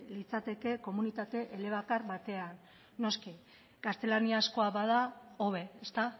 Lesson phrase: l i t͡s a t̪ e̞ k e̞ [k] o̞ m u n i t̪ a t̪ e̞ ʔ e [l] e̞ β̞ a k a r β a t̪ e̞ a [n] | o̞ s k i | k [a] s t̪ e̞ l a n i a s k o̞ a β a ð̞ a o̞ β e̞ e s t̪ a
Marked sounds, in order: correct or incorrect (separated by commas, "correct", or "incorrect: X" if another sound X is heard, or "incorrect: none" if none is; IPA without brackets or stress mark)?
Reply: correct, correct, incorrect: nː, correct